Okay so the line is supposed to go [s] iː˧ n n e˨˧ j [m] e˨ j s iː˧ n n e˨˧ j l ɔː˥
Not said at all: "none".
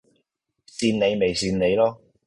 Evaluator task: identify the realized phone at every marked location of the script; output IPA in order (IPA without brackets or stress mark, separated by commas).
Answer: s, m